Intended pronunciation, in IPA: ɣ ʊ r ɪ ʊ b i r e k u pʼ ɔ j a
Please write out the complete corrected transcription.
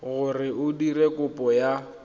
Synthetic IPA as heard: ɣ ʊ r ɪ ʊ d i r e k ʊ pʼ ɔ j a